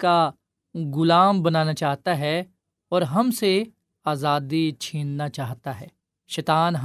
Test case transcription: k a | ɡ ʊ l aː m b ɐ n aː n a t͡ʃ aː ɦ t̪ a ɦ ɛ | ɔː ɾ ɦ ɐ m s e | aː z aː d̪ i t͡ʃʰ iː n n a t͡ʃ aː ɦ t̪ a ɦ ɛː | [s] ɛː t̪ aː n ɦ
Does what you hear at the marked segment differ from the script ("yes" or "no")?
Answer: yes